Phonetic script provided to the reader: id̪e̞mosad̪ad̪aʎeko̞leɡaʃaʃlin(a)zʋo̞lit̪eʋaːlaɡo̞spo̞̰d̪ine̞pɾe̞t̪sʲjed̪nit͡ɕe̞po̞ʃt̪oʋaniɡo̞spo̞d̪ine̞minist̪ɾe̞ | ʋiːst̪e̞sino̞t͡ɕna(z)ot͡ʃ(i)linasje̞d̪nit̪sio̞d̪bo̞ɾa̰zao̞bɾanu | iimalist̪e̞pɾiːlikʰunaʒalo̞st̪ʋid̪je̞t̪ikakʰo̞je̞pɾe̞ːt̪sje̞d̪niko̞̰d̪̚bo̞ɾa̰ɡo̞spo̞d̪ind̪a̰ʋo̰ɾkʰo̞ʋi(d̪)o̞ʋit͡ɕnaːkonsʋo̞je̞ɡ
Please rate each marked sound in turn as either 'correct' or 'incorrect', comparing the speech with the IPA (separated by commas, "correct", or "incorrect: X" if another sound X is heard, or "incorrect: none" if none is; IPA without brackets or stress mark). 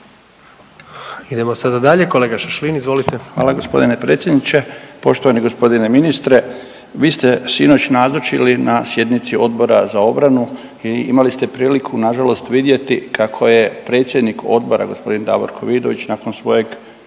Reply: incorrect: i, correct, correct, correct